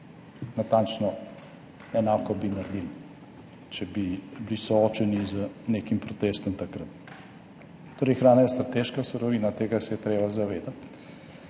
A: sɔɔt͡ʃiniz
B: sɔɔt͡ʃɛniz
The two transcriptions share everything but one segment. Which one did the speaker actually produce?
B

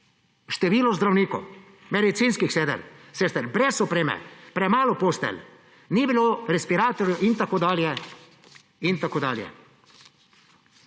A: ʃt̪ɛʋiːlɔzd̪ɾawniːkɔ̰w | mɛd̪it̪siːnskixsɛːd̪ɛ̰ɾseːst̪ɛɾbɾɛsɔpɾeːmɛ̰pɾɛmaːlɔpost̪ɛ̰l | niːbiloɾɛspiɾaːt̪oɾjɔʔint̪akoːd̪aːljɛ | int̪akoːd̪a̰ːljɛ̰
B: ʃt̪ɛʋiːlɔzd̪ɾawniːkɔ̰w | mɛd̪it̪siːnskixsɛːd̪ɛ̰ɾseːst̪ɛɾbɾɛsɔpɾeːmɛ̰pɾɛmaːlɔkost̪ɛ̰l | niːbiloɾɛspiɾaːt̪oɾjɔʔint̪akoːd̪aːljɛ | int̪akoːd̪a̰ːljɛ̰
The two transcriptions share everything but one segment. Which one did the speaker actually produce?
A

